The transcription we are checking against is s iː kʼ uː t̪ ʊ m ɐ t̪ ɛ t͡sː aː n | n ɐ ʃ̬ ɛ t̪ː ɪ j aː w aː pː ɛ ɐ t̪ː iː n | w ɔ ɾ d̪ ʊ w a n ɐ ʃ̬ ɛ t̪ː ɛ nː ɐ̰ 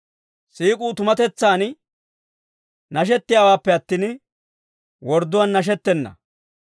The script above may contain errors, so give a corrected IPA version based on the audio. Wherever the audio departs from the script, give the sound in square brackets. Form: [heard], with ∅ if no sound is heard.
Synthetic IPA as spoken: s iː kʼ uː t̪ ʊ m ɐ t̪ ɛ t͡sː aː n | n ɐ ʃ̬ ɛ t̪ː ɪ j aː w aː pː ɛ ɐ t̪ː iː n | w ɔ ɾ d̪ ʊ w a [nː] ɐ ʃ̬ ɛ t̪ː ɛ nː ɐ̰